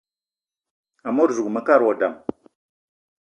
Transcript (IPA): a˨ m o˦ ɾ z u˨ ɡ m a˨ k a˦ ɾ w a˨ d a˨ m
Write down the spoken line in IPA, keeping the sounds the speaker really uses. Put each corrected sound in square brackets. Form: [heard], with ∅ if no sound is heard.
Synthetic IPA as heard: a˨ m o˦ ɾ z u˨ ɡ m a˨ k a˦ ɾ w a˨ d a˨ m